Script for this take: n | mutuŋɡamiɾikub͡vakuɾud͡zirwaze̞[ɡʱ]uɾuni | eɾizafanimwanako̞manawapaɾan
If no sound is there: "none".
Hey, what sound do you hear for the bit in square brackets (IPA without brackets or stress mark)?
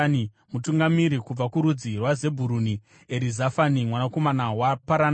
bʱ